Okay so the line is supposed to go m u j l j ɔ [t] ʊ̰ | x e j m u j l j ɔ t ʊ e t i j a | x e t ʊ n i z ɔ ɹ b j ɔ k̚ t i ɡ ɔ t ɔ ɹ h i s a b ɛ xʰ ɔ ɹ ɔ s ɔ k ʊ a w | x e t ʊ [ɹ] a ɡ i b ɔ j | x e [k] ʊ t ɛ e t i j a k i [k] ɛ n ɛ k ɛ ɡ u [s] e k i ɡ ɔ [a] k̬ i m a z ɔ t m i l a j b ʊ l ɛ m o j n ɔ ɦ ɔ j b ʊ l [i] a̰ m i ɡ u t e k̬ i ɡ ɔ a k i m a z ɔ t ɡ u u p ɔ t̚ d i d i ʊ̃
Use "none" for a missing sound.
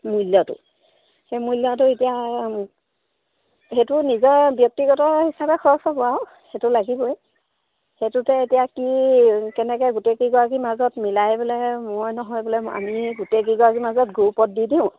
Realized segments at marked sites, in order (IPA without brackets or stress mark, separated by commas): t, l, t, k, t, a, ɛ